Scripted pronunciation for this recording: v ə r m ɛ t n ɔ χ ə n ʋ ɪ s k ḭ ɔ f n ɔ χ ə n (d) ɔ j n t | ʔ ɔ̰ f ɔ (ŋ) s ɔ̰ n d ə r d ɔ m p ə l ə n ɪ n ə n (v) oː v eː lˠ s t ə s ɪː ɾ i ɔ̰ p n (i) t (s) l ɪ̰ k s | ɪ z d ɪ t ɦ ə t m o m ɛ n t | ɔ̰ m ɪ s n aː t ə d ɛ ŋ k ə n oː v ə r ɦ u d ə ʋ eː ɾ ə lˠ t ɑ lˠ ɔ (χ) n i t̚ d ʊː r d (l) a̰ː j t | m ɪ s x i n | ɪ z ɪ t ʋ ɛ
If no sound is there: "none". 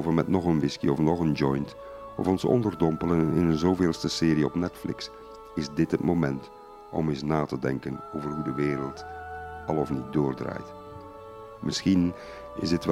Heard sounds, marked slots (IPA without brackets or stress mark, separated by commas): d͡ʒ, n, z, ɛ, f, f, r